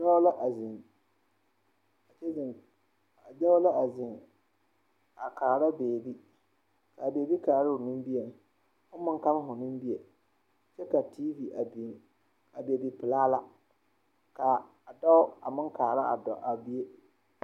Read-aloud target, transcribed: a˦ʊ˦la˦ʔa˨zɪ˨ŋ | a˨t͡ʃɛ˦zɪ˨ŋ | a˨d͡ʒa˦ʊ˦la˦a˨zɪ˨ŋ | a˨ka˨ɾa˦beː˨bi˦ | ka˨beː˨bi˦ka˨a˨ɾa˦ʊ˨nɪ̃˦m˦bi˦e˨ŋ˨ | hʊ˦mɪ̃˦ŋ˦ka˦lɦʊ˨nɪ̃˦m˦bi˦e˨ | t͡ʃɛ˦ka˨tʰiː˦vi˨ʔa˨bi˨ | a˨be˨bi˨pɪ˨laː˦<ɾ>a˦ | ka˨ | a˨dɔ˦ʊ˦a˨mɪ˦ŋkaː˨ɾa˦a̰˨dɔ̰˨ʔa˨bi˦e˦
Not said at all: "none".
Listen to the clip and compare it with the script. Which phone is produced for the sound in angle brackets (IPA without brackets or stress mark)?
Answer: l